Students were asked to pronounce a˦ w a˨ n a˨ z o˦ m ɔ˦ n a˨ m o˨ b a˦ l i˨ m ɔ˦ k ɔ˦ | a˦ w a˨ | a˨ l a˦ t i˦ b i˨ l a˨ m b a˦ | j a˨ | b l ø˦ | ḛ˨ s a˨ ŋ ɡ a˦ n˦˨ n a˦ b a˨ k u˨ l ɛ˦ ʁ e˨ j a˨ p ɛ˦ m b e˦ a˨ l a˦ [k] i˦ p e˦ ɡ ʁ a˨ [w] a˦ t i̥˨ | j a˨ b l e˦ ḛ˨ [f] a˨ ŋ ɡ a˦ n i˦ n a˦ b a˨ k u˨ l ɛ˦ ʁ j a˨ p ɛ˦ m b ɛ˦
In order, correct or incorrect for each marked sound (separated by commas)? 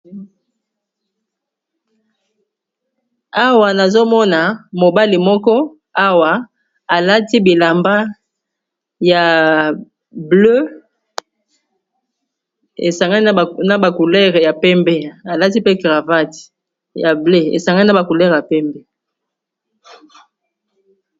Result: incorrect, incorrect, incorrect